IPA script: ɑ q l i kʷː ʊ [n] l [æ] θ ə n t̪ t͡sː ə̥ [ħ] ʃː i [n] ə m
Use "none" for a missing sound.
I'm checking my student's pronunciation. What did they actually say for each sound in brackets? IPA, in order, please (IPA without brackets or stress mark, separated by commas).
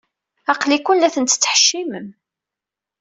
n, æ, ħ, m